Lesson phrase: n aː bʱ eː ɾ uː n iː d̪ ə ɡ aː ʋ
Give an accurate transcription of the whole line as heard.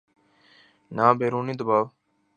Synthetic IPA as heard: n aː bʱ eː ɾ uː n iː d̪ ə b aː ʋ